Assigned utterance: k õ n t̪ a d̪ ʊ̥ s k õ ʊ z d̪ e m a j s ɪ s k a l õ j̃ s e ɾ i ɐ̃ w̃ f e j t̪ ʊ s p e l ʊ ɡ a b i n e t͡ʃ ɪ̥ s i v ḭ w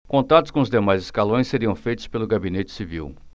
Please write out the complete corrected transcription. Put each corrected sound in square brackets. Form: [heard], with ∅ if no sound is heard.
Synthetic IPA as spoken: k õ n t̪ a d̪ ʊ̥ s k õ ʊ z d̪ e m a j [z] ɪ s k a l õ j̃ s e ɾ i ɐ̃ w̃ f e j t̪ ʊ s p e l ʊ ɡ a b i n e t͡ʃ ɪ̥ s i v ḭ w